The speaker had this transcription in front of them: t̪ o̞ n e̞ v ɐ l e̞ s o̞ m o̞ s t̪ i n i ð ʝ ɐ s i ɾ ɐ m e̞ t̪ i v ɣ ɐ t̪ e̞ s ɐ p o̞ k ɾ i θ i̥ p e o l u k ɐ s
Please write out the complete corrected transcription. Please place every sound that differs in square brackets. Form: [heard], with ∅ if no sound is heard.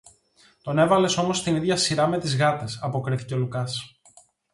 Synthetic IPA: t̪ o̞ n e̞ v ɐ l e̞ s o̞ m o̞ s t̪ i n i ð ʝ ɐ s i ɾ ɐ m e̞ t̪ i [z] ɣ ɐ t̪ e̞ s ɐ p o̞ k ɾ i θ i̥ [c] e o l u k ɐ s